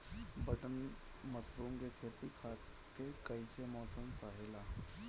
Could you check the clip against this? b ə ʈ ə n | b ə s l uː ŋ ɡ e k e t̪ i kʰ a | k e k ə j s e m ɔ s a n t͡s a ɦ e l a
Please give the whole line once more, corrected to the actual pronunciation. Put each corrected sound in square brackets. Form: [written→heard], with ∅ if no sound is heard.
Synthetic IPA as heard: b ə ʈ ə n | [b→m] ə s [l→ɾ] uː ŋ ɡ e [k→kʰ] e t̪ i kʰ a | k e k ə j s e m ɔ s [a→ə] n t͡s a ɦ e l a